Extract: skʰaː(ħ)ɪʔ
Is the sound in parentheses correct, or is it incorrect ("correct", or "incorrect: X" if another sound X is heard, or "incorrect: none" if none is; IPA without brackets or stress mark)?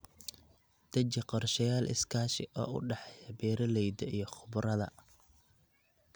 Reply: incorrect: ʃ